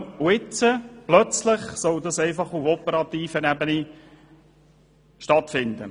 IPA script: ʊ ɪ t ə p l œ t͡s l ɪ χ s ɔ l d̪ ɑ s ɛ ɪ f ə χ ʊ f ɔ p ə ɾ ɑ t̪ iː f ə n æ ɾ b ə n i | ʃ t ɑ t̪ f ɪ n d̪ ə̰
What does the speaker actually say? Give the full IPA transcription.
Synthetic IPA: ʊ ɪ t͡s ə p l œ t͡s l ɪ χ s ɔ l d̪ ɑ s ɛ ɪ f ɑ χ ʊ f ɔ p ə ɾ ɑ t̪ iː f ə n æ b ə n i | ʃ t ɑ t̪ f ɪ n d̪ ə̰